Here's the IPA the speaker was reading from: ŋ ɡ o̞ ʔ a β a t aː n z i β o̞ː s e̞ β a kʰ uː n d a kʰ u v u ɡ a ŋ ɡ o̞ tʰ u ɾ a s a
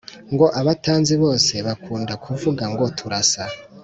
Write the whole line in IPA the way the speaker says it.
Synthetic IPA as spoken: ŋ ɡ o̞ ʔ a β a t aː n z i β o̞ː s e̞ β a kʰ uː n d a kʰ u v u ɡ a ŋ ɡ o̞ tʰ u ɾ a s a